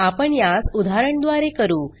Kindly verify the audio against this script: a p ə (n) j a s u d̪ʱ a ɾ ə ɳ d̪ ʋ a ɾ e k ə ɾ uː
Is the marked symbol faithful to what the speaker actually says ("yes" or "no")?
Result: no